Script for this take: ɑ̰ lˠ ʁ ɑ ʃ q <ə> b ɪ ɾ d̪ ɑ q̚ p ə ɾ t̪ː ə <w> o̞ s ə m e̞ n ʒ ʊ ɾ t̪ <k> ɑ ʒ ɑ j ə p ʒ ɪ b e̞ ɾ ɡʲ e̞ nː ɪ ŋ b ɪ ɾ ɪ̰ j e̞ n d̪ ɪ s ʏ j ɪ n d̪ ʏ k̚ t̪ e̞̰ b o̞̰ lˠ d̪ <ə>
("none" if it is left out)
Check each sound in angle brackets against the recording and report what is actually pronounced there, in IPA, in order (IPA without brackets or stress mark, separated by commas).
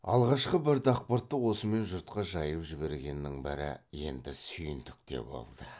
ə, w, q, ə